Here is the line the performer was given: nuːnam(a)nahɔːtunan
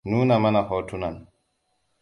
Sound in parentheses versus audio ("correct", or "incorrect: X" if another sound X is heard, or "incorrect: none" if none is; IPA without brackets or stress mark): correct